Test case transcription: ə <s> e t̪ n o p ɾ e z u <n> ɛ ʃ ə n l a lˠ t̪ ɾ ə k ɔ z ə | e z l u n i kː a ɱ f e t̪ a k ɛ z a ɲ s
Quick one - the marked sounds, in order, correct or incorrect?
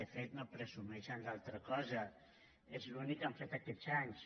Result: incorrect, incorrect

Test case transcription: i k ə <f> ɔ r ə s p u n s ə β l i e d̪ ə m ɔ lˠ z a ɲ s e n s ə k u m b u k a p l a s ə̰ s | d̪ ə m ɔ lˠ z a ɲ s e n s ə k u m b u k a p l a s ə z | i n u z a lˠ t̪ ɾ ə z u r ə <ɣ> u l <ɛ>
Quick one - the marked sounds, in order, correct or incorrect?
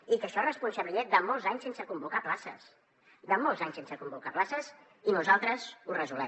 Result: incorrect, incorrect, correct

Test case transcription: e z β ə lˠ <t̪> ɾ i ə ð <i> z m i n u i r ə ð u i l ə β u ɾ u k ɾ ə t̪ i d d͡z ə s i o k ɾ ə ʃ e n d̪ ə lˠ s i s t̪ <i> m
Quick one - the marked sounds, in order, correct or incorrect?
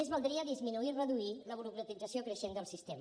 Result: incorrect, correct, incorrect

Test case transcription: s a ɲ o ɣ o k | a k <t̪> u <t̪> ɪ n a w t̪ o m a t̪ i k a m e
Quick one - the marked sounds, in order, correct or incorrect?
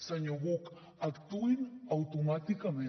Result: correct, incorrect

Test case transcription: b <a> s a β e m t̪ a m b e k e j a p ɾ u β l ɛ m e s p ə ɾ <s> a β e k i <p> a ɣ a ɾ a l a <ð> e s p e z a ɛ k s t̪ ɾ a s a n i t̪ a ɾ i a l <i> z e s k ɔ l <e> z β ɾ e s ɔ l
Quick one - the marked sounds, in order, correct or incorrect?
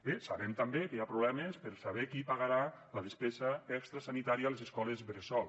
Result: incorrect, correct, correct, correct, incorrect, correct

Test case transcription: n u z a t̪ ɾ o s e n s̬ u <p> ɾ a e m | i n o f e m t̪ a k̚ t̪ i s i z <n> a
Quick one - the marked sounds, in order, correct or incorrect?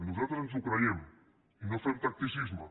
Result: incorrect, incorrect

